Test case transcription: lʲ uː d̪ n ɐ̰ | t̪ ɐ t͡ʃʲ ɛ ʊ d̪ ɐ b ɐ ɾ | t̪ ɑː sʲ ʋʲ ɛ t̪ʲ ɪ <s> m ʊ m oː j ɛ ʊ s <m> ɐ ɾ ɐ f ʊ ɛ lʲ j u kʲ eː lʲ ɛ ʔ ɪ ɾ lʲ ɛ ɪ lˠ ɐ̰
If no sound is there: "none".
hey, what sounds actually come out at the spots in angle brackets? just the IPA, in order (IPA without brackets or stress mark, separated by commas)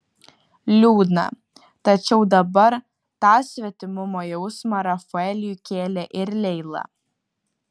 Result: none, m